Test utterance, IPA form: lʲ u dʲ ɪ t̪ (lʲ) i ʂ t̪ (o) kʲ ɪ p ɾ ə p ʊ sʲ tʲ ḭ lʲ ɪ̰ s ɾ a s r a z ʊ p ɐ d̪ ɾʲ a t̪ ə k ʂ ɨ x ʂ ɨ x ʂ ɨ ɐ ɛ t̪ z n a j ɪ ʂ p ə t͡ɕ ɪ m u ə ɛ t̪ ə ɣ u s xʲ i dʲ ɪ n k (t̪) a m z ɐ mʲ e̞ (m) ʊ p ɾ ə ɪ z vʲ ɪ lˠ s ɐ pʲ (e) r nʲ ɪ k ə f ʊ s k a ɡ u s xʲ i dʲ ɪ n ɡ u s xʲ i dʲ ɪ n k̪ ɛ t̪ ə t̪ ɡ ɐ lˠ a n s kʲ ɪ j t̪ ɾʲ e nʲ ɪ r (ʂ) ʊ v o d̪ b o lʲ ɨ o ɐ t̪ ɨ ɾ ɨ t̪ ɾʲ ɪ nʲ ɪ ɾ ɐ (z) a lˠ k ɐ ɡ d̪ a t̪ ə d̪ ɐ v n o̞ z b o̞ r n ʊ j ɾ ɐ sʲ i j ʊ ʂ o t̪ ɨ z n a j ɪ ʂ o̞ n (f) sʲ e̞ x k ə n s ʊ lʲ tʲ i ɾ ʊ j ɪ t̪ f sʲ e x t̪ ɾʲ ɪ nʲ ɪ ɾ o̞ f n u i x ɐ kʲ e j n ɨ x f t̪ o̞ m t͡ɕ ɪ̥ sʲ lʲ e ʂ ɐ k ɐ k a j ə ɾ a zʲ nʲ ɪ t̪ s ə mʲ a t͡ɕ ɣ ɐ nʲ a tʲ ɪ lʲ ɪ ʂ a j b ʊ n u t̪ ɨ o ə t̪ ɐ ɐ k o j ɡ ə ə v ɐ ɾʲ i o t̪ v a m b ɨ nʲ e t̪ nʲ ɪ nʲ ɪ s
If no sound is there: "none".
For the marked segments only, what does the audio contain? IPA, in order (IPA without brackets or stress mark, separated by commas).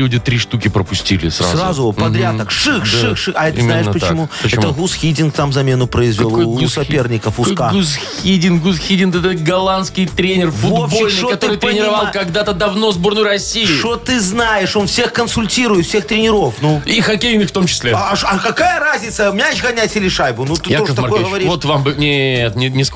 ɾʲ, u, t̪, n, e, f, v, f